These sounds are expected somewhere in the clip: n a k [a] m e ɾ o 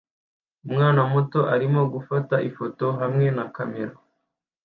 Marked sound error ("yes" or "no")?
no